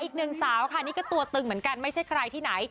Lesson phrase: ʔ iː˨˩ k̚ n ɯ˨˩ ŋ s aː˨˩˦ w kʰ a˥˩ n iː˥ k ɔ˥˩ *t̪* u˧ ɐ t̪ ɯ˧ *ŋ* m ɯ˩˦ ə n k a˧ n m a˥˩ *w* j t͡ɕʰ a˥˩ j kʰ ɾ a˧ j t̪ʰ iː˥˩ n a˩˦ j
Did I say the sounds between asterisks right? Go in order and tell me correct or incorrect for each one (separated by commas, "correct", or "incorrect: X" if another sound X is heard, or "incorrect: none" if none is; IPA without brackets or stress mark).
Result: correct, correct, incorrect: none